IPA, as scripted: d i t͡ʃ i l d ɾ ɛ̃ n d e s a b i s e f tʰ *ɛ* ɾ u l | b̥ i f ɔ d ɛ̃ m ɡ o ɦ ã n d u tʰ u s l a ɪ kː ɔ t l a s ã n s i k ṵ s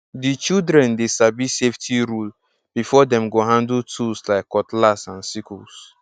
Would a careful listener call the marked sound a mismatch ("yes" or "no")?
yes